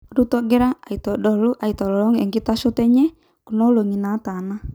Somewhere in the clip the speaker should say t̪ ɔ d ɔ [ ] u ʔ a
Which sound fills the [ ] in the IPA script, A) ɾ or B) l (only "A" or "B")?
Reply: B